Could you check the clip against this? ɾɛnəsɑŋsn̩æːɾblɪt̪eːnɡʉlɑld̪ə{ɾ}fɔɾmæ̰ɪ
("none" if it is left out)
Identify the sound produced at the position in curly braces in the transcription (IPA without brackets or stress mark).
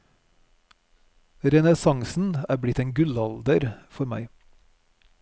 ɾ